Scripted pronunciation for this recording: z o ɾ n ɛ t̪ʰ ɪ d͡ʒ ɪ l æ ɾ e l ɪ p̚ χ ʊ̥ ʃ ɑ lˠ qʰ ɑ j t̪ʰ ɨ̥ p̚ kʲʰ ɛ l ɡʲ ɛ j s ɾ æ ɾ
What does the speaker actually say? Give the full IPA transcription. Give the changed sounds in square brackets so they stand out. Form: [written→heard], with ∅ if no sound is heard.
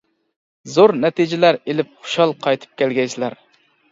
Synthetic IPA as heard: z o ɾ n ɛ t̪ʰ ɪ d͡ʒ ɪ l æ ɾ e l ɪ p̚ χ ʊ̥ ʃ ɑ lˠ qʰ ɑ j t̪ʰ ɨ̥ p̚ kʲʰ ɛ l ɡʲ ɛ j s [ɾ→l] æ ɾ